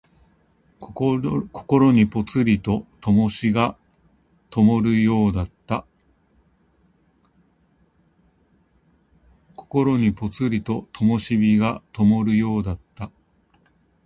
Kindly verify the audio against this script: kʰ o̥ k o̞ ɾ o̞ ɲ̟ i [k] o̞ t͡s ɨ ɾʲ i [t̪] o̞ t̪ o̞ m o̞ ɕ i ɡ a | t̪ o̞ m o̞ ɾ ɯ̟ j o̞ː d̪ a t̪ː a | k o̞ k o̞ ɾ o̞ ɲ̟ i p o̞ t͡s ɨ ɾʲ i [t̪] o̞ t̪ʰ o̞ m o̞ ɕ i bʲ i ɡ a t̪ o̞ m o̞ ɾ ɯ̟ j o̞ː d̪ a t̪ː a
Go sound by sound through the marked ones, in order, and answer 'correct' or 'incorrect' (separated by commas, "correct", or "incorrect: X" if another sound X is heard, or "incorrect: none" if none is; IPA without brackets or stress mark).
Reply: incorrect: p, correct, correct